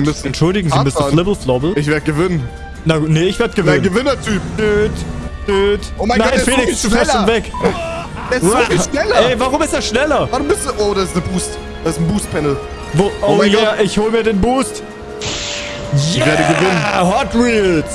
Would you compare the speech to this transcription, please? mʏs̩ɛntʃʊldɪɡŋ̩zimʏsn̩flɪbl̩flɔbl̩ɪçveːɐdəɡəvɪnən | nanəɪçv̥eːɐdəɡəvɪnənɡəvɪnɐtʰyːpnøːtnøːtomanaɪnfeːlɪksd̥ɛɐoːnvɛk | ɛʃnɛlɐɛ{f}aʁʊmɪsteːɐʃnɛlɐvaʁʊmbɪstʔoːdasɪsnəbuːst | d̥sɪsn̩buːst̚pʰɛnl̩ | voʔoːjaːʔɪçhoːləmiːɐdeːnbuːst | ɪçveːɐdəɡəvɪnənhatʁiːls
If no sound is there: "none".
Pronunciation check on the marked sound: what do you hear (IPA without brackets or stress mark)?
v